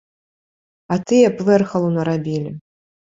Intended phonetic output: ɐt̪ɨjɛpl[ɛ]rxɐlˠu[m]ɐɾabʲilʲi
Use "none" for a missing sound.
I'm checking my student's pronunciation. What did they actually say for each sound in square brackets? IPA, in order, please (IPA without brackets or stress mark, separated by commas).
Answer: ɛ, n